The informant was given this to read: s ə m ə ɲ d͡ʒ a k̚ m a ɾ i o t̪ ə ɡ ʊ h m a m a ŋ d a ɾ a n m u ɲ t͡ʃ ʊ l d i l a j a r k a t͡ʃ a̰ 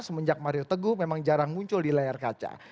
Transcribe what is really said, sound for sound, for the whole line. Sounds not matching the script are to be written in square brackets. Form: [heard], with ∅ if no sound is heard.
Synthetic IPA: s ə m ə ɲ d͡ʒ a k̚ m a ɾ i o t̪ ə ɡ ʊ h m [e] m a ŋ [d͡ʒ] a ɾ a [ŋ] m u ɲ t͡ʃ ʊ l d i l a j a r k a t͡ʃ a̰